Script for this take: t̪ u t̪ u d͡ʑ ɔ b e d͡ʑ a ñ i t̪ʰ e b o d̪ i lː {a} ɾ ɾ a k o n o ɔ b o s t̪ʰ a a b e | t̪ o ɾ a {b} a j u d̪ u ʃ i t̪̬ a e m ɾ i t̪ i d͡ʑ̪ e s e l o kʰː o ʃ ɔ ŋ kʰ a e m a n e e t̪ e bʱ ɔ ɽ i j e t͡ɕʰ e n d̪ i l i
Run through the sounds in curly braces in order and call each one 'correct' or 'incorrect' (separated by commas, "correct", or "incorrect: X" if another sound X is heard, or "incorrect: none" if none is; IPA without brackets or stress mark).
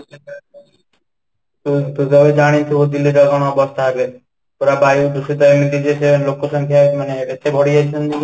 incorrect: i, correct